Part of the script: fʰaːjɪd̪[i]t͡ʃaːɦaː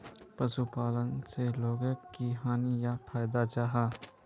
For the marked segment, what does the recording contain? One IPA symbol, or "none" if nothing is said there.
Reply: a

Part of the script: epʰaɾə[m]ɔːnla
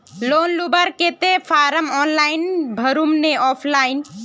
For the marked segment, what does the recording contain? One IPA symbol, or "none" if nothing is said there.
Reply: m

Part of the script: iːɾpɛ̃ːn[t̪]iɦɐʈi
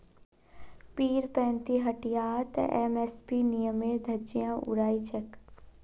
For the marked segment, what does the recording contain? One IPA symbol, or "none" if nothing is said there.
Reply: t̪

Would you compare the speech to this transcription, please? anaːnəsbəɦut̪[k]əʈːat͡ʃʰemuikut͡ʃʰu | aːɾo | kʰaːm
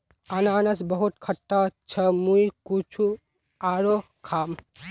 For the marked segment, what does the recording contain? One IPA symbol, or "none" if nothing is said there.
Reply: kʰ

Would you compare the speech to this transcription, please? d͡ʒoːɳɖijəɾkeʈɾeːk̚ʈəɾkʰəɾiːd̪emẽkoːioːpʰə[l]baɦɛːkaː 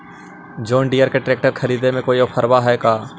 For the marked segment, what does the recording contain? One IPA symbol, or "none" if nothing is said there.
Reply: ɾ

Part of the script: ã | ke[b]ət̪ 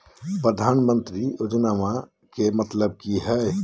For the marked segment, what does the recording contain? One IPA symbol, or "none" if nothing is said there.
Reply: m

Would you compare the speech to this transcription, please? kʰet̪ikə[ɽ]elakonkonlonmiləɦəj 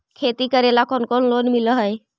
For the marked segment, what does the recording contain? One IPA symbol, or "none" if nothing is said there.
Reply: ɾ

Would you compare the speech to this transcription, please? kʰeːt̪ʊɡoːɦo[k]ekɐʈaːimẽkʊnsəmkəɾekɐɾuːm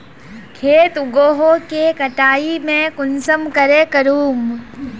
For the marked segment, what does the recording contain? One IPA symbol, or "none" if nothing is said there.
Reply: k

